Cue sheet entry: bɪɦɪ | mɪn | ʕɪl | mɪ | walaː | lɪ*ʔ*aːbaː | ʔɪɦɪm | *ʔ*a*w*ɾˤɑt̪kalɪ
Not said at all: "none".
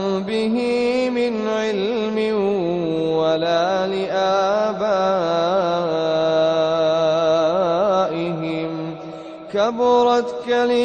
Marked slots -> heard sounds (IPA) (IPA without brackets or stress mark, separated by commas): ʔ, k, b